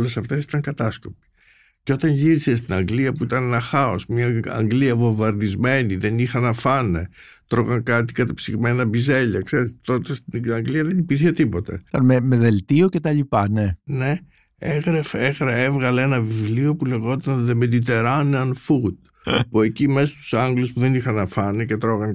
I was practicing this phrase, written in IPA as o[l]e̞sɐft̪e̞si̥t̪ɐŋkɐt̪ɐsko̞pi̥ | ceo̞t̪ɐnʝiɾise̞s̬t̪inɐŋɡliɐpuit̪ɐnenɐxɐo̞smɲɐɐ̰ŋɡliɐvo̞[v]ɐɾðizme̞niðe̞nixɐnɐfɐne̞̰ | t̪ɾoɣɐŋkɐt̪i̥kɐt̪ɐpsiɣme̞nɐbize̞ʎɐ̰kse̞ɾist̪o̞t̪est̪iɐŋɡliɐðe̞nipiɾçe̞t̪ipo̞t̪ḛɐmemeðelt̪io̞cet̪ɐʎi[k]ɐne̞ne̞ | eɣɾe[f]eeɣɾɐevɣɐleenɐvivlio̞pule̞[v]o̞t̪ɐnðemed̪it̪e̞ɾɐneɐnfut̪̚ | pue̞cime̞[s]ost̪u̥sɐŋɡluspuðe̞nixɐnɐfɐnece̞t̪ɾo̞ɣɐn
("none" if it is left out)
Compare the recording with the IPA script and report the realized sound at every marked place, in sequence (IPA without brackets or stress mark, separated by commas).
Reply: l, v, p, f, ɣ, s